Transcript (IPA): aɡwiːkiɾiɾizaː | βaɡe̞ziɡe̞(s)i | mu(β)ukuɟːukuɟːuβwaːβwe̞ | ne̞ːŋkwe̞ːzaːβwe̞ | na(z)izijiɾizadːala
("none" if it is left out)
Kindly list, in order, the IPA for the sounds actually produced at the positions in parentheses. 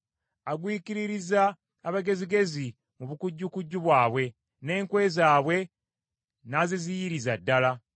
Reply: z, β, z

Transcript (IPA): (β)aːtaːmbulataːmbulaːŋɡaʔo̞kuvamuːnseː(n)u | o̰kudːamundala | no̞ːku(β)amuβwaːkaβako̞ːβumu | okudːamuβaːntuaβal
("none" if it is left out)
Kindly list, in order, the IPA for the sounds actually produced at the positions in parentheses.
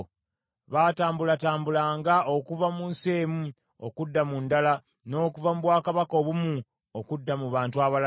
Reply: β, m, v

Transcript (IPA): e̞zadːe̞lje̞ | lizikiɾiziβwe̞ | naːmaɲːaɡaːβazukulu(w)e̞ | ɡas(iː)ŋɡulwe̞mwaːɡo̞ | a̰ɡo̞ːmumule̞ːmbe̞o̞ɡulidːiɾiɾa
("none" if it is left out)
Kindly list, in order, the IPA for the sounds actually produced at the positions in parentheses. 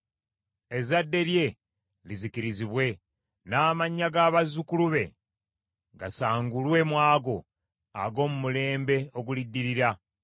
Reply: β, aː

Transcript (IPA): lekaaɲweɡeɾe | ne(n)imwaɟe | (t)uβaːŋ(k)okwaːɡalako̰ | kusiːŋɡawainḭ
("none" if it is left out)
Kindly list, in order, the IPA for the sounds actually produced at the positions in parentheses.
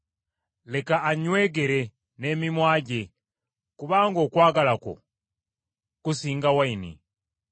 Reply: m, k, ɡ

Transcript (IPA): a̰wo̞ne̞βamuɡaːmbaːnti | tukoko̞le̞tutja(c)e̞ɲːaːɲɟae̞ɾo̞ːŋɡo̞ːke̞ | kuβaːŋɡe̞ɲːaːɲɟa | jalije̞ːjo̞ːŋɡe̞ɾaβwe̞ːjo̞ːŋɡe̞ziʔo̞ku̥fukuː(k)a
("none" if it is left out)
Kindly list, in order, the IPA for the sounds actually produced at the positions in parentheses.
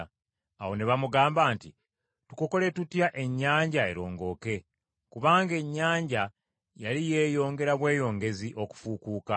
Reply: ʔ, k

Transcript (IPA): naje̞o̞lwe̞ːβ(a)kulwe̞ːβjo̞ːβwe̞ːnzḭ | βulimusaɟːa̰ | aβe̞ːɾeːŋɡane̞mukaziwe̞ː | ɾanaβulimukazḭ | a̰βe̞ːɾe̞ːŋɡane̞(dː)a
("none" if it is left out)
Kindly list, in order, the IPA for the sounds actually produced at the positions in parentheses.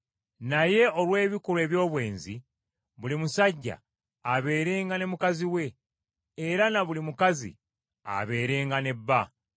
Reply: i, bː

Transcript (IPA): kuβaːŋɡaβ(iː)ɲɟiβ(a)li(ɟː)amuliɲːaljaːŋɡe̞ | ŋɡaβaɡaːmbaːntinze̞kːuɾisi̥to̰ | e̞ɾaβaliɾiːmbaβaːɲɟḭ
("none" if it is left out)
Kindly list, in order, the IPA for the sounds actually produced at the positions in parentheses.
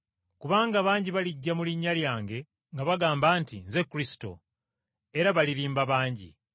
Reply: aː, a, ɟː

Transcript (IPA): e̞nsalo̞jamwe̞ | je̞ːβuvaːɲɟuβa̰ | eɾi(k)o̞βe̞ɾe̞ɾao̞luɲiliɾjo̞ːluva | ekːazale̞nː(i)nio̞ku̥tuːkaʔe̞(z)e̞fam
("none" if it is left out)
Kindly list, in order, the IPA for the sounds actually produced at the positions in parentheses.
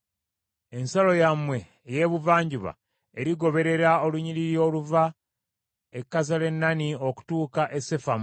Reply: ɡ, a, s

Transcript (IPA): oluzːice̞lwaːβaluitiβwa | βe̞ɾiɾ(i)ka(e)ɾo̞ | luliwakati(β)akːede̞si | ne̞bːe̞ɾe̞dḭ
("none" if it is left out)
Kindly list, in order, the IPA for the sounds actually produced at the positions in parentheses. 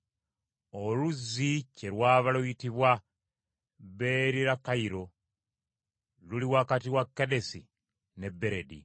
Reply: a, i, w

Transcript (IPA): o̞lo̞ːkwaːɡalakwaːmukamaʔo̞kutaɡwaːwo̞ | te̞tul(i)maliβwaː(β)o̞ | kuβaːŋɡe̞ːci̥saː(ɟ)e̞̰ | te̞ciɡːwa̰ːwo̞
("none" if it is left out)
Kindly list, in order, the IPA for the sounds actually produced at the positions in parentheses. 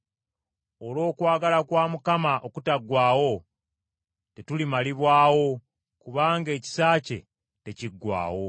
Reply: i, w, c

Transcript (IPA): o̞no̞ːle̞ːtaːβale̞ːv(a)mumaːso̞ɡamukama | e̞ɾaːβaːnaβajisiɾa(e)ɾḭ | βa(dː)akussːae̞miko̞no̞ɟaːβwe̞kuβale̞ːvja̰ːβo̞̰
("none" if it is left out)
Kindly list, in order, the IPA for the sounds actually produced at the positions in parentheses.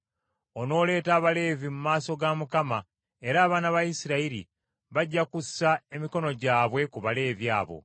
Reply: i, i, ɟː

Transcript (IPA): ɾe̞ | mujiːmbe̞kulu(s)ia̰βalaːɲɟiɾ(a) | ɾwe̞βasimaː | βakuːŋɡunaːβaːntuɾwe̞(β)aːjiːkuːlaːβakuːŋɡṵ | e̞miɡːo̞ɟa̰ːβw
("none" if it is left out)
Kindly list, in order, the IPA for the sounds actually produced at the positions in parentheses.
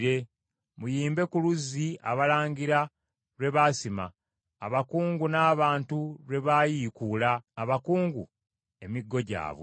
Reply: z, a, β

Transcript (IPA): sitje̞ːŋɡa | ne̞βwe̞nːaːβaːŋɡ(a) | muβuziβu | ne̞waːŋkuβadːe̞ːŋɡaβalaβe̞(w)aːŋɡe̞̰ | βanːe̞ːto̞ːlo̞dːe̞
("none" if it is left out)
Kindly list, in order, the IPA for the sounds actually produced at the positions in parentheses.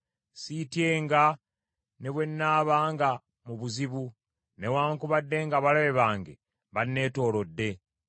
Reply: a, β

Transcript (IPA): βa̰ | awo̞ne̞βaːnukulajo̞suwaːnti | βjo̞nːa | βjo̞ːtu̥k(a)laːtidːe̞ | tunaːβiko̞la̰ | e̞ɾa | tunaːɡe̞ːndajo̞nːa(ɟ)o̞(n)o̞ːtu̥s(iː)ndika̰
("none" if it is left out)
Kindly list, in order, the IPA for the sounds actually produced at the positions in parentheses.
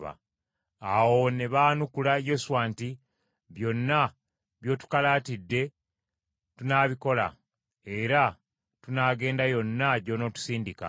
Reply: a, ɟ, n, iː

